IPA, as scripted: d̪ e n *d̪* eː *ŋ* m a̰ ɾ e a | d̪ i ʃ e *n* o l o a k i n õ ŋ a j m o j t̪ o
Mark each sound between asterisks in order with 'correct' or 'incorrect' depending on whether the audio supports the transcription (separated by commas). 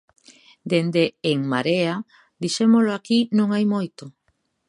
correct, correct, incorrect